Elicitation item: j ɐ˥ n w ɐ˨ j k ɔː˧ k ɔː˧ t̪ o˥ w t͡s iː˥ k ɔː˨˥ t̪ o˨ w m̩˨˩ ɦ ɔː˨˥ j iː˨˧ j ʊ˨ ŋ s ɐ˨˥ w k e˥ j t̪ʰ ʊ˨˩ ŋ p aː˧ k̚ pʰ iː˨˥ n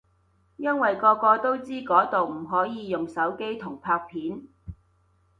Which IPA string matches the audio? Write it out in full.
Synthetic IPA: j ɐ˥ n w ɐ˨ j k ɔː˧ k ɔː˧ t̪ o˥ w t͡s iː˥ k ɔː˨˥ t̪ o˨ w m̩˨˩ ɦ ɔː˨˥ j iː˨˧ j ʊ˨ ŋ s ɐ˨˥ w k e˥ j t̪ʰ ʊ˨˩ ŋ pʰ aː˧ k̚ pʰ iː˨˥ n